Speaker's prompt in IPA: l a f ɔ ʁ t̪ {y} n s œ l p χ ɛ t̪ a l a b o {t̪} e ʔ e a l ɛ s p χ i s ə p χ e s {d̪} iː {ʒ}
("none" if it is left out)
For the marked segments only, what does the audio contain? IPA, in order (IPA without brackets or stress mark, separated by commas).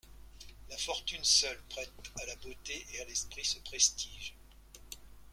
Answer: y, t̪, t̪, ʒ